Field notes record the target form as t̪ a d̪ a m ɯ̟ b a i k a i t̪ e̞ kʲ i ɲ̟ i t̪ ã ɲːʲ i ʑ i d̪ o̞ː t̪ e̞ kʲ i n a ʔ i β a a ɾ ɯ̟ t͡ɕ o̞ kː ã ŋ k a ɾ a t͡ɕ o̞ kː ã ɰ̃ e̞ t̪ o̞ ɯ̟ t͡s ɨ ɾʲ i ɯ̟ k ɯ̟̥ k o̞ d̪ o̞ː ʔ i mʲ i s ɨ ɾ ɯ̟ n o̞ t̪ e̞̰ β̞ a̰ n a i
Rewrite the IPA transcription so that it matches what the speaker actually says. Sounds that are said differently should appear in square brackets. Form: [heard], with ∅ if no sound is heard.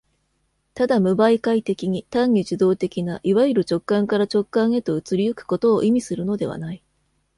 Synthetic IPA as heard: t̪ a d̪ a m ɯ̟ b a i k a i t̪ e̞ kʲ i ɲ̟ i t̪ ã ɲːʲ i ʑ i d̪ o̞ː t̪ e̞ kʲ i n a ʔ i β a [i] ɾ ɯ̟ t͡ɕ o̞ kː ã ŋ k a ɾ a t͡ɕ o̞ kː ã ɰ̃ e̞ t̪ o̞ ɯ̟ t͡s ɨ ɾʲ i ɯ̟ k ɯ̟̥ k o̞ [t̪] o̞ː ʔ i mʲ i s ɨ ɾ ɯ̟ n o̞ [d̪] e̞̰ β̞ a̰ n a i